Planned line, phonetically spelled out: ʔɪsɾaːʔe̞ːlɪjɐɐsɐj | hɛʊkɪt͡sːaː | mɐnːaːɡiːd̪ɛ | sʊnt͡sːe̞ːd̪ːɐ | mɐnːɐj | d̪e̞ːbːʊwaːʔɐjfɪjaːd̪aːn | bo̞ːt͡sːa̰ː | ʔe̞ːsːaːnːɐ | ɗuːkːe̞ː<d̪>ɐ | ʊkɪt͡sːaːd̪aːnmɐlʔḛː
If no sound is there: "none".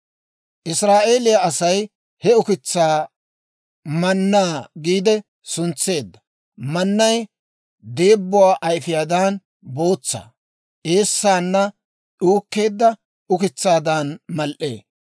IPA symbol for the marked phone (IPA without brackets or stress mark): d̪ː